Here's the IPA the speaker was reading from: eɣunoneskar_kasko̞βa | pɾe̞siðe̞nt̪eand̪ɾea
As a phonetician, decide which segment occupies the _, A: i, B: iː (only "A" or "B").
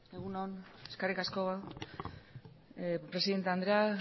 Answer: A